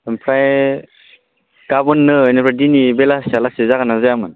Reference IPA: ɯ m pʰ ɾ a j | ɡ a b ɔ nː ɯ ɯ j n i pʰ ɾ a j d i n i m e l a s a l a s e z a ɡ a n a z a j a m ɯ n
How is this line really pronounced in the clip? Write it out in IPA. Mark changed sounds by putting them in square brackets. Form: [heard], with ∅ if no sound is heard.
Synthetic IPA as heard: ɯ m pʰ ɾ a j | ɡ a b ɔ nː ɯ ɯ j n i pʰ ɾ a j d i n i [b] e l a s a l a s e z a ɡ a n a z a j a m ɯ n